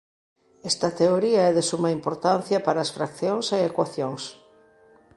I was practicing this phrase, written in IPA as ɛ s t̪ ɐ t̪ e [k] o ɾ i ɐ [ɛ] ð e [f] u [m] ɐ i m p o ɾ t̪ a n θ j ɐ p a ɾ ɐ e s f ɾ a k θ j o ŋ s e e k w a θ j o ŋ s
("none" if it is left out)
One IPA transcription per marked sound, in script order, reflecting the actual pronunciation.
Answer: none, ɛ, s, m

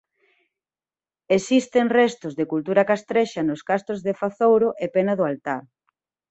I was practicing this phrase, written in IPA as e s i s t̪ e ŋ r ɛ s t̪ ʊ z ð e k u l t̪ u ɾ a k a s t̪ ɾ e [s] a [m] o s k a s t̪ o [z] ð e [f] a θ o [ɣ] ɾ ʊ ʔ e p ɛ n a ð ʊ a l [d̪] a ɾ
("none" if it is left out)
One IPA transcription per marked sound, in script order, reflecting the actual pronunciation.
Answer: ʃ, n, z, f, w, t̪

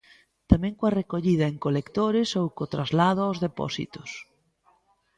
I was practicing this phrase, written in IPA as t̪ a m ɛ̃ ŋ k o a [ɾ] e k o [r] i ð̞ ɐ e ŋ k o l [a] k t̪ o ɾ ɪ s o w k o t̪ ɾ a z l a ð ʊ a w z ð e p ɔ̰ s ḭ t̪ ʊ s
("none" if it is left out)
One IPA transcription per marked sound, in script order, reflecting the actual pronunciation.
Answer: r, ʎ, e

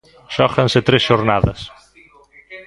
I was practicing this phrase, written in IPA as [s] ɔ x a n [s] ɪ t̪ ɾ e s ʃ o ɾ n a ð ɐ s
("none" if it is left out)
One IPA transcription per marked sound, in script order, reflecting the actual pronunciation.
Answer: ʃ, s

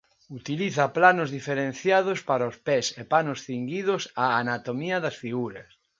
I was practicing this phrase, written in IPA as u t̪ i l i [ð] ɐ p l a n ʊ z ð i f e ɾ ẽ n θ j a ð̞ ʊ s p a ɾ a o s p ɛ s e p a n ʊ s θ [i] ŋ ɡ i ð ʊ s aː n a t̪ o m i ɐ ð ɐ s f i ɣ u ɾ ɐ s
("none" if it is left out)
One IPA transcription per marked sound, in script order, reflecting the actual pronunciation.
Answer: θ, i

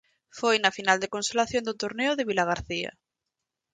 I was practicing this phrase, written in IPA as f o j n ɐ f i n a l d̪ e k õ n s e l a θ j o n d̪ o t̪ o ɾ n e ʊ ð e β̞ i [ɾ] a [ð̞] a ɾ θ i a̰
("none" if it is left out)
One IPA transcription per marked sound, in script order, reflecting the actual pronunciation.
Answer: l, ɣ̞

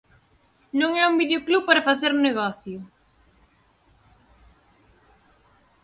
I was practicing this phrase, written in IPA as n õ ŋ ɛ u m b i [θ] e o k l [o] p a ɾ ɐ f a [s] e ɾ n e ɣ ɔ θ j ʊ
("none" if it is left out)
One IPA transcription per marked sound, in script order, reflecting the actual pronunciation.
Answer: ð, u, θ

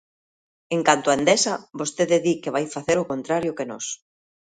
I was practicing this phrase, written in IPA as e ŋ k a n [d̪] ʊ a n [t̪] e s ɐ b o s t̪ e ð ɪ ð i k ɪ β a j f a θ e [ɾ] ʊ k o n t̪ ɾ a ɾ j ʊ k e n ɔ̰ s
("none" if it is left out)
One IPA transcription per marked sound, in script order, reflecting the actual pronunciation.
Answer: t̪, d̪, ɾ

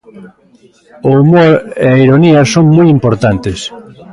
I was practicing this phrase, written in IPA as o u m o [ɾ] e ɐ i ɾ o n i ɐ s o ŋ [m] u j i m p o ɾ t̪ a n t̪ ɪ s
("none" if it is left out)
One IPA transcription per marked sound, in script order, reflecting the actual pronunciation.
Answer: ɾ, m

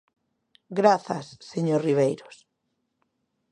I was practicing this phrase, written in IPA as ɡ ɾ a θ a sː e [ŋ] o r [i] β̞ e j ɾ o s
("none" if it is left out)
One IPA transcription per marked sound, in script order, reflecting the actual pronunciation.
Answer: ɲ, i

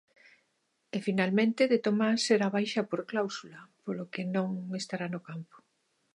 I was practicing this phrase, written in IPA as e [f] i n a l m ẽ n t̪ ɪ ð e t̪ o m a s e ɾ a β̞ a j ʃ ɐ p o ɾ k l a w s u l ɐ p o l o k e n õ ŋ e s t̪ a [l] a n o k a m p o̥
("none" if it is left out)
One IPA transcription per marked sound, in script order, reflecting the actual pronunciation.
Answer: f, ɾ

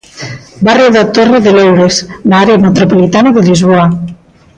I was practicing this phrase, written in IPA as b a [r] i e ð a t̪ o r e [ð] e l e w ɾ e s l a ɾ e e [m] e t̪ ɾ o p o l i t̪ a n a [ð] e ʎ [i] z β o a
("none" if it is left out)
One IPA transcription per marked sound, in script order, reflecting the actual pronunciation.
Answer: r, ð, m, ð, i

